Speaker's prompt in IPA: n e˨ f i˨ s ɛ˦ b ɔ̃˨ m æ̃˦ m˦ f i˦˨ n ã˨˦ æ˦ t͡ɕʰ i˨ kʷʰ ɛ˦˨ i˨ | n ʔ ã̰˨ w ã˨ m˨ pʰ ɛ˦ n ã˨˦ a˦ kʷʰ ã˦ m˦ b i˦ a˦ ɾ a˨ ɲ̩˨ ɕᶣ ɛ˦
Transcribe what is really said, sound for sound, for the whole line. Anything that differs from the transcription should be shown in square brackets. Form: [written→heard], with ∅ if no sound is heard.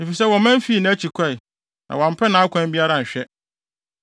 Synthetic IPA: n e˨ f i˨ s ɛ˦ [b→w] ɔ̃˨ m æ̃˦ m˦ f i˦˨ n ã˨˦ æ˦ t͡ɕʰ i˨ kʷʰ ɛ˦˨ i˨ | n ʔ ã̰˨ w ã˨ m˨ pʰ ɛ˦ n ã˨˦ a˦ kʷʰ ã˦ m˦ b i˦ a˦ ɾ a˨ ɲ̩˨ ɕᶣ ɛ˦